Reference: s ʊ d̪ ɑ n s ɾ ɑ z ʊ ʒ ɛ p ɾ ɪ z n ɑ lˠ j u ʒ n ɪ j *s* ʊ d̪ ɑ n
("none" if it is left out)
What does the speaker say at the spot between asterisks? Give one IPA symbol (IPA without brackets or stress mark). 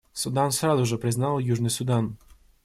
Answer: s